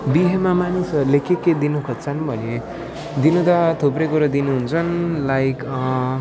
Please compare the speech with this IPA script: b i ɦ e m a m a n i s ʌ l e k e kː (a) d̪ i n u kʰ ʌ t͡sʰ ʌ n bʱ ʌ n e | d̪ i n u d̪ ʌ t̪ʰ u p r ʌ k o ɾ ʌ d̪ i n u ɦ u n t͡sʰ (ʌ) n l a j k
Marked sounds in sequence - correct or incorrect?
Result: incorrect, correct

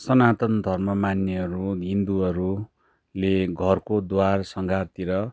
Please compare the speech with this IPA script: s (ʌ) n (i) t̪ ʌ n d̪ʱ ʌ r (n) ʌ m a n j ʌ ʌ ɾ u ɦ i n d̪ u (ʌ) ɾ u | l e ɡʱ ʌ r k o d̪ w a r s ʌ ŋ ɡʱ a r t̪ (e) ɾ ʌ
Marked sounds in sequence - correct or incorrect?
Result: correct, incorrect, incorrect, correct, incorrect

